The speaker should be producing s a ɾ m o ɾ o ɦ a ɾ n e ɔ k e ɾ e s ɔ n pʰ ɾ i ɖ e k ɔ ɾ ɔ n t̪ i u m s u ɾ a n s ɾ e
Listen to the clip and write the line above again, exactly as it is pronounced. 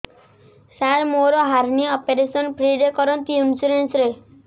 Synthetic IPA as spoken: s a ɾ m o ɾ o ɦ a ɾ n i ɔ p e ɾ e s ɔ n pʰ ɾ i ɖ e k ɔ ɾ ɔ n t̪ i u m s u ɾ e n s ɾ e

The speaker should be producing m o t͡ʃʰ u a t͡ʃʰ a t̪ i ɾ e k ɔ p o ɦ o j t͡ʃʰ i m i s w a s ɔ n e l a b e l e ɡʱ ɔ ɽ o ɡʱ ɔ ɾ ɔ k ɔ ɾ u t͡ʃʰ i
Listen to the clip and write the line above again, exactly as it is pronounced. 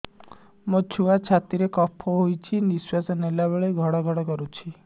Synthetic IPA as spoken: m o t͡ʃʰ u a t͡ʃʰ a t̪ i ɾ e k ɔ pʰ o ɦ o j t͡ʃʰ i n i s w a s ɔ n e l a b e ɭ e ɡʱ ɔ ɽ ɔ ɡʱ ɔ ɽ ɔ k ɔ ɾ u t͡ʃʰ i

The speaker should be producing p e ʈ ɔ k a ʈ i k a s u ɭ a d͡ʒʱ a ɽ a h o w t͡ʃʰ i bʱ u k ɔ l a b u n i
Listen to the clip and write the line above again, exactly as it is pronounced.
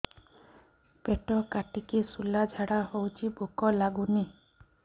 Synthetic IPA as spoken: p e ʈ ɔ k a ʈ i k i s u l a d͡ʒʱ a ɽ a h o w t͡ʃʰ i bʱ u k ɔ l a ɡ u n i

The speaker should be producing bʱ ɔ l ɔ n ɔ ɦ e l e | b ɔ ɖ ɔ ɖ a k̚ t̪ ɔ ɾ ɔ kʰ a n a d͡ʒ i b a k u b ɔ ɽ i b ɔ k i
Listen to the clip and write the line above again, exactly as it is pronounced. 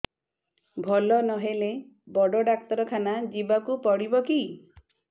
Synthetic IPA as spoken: bʱ ɔ l ɔ n ɔ ɦ e l e | b ɔ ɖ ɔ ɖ a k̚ t̪ ɔ ɾ ɔ kʰ a n a d͡ʒ i b a k u p ɔ ɽ i b ɔ k i

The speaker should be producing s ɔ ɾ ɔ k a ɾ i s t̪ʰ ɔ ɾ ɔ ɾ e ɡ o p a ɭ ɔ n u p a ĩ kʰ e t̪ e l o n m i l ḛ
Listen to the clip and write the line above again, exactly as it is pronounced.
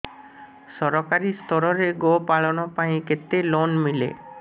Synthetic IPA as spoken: s ɔ ɾ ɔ k a ɾ i s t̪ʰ ɔ ɾ ɔ ɾ e ɡ o p a ɭ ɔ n ɔ p a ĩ k e t̪ e l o n m i l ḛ

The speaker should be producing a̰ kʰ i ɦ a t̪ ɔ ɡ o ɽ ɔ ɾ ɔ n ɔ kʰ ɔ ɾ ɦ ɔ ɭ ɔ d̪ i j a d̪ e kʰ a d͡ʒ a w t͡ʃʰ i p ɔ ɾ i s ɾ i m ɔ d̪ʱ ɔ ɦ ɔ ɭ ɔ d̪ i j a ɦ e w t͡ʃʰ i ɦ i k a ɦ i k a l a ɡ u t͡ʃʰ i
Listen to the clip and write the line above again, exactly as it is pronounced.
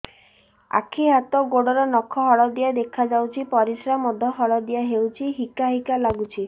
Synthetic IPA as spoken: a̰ kʰ i ɦ a t̪ ɔ ɡ o ɽ ɔ ɾ ɔ n ɔ kʰ ɔ ɦ ɔ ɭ ɔ d̪ i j a d̪ e kʰ a d͡ʒ a w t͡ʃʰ i p ɔ ɾ i s ɾ a m ɔ d̪ʱ ɔ ɦ ɔ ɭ ɔ d̪ i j a ɦ e w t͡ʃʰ i ɦ i k a ɦ i k a l a ɡ u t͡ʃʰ i

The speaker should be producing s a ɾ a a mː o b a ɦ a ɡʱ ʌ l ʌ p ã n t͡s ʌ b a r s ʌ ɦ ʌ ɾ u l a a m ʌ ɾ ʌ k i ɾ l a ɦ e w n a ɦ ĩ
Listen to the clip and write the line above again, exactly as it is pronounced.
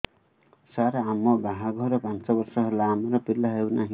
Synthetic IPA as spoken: s a ɾ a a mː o b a ɦ a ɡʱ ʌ ɾ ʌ p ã n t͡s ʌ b ʌ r s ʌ ɦ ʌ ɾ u l a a m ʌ ɾ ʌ p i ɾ l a ɦ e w n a ɦ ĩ

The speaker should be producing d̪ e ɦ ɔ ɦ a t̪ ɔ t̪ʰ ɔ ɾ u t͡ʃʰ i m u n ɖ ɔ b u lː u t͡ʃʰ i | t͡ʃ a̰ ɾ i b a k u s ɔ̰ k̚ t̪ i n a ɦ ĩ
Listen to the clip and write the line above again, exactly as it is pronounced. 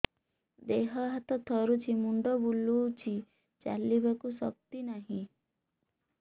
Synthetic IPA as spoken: d̪ e ɦ ɔ ɦ a t̪ ɔ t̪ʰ ɔ ɾ u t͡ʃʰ i m u ɳ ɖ ɔ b u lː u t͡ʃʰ i | t͡ʃ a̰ l i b a k u s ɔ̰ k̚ t̪ i n a ɦ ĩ

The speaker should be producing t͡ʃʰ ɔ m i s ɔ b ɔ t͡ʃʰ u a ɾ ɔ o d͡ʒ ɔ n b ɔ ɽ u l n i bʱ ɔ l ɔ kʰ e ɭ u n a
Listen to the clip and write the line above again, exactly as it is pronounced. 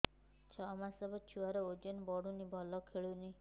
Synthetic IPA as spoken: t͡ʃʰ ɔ m a s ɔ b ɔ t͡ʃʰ u a ɾ ɔ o d͡ʒ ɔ n b ɔ ɽ u n i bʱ ɔ l ɔ kʰ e ɭ u n i

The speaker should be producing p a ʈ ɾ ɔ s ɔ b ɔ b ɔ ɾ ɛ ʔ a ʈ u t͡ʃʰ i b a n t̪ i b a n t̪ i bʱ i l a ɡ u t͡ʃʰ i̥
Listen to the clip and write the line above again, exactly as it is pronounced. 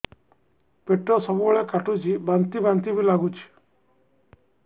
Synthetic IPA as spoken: p e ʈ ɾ ɔ s ɔ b u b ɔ ɭ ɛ k a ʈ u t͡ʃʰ i b a n t̪ i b a n t̪ i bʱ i l a ɡ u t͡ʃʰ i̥

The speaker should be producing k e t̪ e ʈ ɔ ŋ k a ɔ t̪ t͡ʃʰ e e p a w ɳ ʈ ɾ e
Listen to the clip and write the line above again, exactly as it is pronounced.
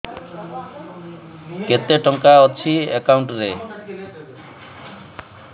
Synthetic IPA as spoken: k e t̪ e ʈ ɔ ŋ k a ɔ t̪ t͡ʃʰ i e k a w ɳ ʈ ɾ e

